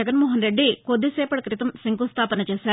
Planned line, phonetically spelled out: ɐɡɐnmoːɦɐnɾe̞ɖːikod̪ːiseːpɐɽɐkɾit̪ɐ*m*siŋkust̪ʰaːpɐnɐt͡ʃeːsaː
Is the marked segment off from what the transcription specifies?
no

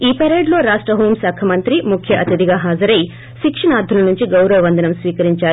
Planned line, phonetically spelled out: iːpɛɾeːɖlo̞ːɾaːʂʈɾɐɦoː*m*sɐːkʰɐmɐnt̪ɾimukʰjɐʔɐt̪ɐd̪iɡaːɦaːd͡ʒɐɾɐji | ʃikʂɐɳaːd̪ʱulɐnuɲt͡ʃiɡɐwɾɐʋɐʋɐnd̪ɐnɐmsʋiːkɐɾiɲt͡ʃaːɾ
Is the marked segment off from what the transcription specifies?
no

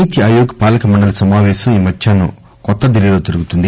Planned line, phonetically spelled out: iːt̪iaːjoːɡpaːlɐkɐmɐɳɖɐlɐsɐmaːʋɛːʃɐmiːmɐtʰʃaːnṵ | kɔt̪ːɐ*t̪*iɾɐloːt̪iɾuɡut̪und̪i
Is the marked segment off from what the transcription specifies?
yes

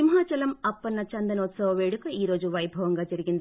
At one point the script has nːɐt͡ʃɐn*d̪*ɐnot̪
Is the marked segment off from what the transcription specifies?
no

